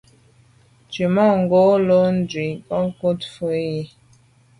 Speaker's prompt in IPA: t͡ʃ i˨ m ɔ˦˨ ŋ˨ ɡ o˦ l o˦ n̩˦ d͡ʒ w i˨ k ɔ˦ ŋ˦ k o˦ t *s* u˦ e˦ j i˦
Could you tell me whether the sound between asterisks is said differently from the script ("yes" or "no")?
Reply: yes